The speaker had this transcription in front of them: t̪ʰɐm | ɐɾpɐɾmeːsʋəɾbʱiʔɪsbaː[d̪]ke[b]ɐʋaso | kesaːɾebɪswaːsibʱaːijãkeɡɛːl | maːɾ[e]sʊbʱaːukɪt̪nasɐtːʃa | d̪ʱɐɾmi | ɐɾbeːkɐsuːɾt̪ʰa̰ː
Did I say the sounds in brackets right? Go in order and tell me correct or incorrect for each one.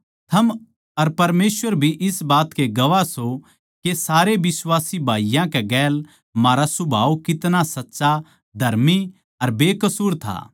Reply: incorrect, incorrect, incorrect

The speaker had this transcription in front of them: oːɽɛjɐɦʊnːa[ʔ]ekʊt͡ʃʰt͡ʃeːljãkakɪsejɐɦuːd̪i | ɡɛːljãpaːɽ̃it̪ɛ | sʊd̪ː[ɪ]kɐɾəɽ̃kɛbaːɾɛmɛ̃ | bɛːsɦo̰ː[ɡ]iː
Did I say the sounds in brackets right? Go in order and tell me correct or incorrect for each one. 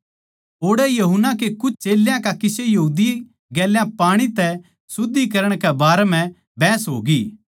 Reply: incorrect, incorrect, correct

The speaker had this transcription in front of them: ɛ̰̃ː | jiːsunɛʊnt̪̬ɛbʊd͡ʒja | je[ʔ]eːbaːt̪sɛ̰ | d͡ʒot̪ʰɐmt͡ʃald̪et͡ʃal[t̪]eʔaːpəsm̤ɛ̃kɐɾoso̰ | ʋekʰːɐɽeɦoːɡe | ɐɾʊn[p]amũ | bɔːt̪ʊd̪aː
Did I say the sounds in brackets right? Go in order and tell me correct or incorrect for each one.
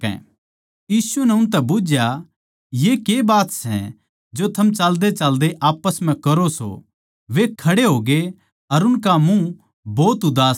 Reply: incorrect, incorrect, incorrect

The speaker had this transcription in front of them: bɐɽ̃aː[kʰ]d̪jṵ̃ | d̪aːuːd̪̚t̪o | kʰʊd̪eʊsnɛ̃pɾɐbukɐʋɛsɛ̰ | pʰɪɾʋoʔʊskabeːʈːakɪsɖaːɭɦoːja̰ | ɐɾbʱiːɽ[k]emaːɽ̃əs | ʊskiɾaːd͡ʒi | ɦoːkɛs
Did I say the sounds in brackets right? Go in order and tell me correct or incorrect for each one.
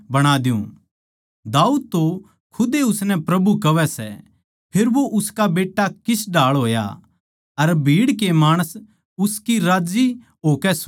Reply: incorrect, correct

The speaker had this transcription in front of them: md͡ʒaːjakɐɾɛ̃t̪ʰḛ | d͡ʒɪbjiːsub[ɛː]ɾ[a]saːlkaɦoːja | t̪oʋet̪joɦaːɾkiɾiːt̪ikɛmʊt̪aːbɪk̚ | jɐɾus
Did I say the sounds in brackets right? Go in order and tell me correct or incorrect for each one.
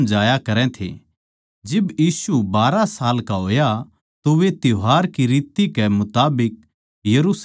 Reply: incorrect, correct

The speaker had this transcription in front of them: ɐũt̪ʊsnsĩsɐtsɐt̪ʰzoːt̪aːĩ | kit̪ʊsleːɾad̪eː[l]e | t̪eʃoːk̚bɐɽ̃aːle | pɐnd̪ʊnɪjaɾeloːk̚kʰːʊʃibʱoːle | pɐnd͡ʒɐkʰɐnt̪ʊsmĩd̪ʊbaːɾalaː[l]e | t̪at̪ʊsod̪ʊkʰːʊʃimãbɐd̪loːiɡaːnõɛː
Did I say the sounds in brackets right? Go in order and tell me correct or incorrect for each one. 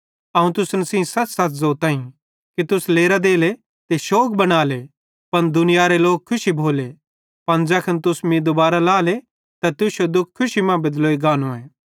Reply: correct, correct

